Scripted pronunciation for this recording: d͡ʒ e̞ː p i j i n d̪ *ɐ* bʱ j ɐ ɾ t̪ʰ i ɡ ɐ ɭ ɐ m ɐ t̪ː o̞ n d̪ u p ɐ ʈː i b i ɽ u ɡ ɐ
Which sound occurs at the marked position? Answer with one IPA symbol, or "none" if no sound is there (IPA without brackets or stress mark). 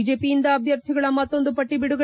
ɐː